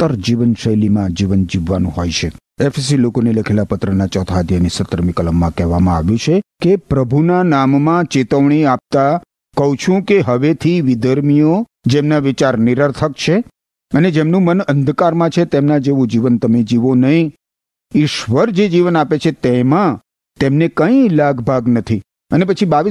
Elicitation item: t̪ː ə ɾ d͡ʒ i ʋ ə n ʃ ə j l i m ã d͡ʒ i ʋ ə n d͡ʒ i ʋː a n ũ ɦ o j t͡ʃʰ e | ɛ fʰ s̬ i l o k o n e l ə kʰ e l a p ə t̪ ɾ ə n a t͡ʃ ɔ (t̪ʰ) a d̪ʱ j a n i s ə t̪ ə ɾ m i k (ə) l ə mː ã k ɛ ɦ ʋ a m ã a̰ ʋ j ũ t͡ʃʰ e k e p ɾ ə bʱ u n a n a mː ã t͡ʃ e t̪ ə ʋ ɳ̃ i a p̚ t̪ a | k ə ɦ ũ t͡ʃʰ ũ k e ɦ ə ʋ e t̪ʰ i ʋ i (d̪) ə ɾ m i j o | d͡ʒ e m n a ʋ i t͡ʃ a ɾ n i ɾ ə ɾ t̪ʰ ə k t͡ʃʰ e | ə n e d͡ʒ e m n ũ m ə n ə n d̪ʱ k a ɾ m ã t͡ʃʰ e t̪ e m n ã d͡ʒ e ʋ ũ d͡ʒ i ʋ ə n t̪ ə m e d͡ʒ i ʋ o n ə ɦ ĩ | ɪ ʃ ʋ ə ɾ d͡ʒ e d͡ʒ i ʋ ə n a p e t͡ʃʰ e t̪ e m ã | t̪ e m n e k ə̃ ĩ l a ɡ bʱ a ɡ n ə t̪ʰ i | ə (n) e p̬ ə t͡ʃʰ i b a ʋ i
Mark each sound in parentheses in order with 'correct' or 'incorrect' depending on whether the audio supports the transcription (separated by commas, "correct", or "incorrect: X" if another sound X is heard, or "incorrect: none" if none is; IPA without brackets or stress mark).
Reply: correct, correct, correct, correct